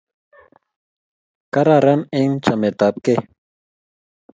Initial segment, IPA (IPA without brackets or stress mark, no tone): k